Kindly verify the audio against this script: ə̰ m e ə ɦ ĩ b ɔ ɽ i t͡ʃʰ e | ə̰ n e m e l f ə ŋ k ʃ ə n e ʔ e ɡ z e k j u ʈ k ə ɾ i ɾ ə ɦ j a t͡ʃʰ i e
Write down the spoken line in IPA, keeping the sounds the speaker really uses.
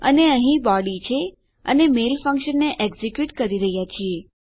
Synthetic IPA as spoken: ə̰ n e ə ɦ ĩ b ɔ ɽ i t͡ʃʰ e | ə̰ n e m e l f ə ŋ k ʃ ə nː e ʔ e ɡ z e k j u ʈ k ə ɾ i ɾ ə ɦ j a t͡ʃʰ i e